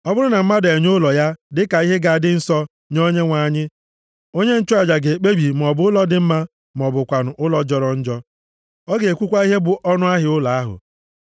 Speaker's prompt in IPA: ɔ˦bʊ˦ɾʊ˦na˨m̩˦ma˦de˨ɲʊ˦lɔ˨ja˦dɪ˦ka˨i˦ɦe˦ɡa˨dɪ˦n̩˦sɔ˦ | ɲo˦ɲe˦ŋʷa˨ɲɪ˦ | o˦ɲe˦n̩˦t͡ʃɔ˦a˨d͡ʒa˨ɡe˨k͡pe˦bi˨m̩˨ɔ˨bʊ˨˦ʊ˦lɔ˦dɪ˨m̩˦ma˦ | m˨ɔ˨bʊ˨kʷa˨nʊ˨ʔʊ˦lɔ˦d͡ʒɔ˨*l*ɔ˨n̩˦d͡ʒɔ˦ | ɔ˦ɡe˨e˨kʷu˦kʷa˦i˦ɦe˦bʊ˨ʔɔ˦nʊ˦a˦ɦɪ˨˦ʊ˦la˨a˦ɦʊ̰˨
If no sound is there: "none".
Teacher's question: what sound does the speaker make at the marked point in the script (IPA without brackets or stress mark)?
ɾ